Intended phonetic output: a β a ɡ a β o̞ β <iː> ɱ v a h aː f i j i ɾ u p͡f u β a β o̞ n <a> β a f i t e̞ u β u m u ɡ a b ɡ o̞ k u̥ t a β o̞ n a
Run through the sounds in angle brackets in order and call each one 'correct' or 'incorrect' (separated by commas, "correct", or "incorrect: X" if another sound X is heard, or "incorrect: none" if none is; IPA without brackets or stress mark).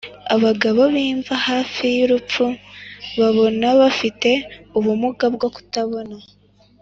correct, correct